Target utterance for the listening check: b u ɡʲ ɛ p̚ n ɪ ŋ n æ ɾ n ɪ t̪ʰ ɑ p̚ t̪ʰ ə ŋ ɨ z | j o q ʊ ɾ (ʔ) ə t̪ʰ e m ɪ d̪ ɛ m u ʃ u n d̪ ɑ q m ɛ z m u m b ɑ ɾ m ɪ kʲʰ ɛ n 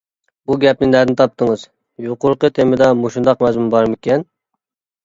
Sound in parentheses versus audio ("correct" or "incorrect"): incorrect